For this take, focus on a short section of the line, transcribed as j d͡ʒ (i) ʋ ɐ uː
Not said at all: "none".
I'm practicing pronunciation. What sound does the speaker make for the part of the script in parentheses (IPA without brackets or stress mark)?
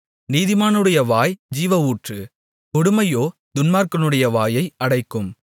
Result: iː